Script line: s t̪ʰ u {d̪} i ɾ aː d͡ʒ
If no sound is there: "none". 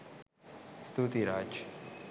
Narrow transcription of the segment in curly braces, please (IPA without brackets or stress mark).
t̪